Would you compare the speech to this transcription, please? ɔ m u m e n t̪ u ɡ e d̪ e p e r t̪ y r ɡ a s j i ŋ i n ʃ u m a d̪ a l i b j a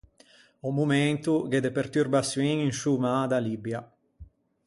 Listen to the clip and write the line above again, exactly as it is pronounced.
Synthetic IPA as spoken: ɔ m u m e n t̪ u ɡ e d̪ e p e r t̪ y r b a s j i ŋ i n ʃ u m a d̪ a l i b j a